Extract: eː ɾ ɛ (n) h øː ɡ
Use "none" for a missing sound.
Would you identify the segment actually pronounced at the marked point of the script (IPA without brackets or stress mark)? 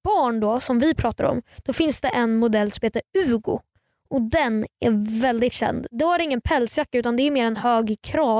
n